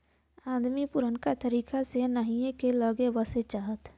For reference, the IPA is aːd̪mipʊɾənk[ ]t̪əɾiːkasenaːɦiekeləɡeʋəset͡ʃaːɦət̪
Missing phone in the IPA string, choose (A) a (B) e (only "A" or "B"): A